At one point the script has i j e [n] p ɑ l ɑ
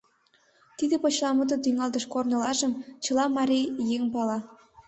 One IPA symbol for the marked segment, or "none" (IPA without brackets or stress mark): ŋ